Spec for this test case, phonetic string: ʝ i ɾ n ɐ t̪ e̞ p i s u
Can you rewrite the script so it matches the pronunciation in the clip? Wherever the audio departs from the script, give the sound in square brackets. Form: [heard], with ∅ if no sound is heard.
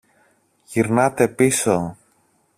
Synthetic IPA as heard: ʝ i ɾ n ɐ t̪ e̞ p i s [o]